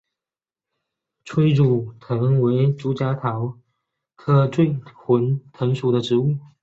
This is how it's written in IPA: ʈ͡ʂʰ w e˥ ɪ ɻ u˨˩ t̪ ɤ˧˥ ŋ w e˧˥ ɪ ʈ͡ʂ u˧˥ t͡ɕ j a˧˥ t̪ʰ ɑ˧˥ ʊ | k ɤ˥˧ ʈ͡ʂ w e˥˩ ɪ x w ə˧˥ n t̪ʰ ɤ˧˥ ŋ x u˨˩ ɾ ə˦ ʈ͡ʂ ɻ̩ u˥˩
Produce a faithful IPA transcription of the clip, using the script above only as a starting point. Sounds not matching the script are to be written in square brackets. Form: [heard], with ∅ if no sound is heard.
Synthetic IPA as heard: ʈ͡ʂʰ w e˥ ɪ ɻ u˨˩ [t̪ʰ] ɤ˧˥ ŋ w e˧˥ ɪ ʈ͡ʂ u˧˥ t͡ɕ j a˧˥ t̪ʰ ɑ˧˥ ʊ | [kʰ] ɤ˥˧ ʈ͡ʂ w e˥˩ ɪ x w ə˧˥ n t̪ʰ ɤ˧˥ ŋ [ʂ] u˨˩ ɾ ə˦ ʈ͡ʂ ɻ̩ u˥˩